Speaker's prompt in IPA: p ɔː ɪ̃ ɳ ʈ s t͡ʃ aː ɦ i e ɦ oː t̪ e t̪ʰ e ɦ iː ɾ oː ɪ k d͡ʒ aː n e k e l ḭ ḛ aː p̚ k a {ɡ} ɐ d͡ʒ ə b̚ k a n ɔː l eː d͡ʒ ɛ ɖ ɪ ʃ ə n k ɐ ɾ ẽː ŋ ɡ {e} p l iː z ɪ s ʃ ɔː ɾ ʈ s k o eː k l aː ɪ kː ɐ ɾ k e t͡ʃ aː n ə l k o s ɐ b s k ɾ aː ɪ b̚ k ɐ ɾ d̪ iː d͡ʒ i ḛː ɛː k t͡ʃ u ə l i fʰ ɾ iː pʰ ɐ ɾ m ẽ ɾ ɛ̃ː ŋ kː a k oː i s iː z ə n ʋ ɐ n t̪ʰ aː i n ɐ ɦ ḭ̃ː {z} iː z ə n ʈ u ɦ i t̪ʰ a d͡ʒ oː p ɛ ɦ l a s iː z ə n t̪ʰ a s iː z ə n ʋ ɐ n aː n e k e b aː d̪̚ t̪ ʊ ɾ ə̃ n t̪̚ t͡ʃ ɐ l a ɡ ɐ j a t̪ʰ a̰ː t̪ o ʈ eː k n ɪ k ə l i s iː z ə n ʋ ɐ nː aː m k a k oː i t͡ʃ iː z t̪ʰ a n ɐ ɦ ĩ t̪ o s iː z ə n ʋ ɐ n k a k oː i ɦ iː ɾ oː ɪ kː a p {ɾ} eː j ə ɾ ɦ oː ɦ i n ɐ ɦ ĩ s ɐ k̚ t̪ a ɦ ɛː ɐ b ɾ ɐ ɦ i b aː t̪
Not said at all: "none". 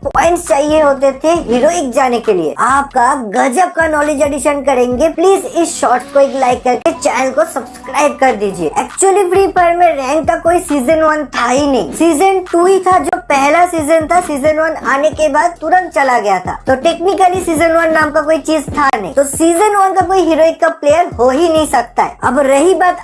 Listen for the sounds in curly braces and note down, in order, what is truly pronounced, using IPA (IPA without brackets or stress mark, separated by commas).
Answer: ɡ, e, s, l